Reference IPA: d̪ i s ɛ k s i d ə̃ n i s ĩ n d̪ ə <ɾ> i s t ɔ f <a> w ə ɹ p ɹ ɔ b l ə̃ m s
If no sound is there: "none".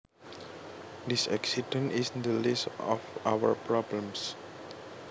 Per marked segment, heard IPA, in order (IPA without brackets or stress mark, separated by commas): l, a